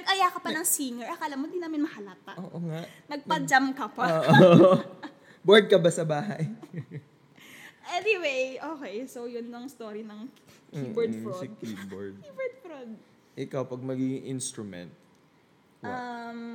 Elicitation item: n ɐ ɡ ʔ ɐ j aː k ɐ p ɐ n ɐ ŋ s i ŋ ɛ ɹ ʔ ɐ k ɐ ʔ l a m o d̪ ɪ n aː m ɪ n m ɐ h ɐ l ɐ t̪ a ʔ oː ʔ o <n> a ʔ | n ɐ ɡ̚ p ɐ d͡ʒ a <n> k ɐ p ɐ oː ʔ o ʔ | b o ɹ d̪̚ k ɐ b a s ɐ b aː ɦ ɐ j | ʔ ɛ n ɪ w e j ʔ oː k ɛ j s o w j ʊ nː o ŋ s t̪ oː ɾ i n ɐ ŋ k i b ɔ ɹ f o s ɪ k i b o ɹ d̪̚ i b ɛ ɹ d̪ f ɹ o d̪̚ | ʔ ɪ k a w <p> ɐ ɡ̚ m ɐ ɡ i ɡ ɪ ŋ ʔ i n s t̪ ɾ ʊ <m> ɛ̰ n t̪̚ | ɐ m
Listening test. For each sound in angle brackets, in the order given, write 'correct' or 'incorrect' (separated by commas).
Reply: incorrect, incorrect, correct, correct